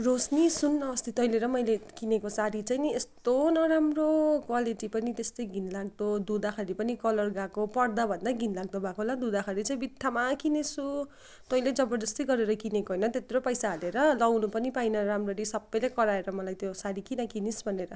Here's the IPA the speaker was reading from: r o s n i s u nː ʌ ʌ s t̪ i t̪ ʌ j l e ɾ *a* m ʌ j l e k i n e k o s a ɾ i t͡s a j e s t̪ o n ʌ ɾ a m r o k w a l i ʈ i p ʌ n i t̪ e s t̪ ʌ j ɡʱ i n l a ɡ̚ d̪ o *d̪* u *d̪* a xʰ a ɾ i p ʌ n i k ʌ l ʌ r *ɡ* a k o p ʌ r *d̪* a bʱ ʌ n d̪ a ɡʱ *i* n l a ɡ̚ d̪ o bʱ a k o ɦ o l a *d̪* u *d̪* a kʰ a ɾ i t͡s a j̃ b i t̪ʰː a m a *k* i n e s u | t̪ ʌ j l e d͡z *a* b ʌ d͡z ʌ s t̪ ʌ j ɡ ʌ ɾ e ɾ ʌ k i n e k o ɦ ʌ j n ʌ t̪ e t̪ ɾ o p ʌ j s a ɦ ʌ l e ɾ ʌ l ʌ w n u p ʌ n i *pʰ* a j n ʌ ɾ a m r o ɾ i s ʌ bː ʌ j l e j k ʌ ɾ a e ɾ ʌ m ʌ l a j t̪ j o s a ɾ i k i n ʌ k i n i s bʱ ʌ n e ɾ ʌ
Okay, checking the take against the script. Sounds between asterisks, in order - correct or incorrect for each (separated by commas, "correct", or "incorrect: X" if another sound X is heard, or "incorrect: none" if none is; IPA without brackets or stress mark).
incorrect: ʌ, correct, correct, correct, correct, correct, correct, correct, correct, incorrect: ʌ, incorrect: p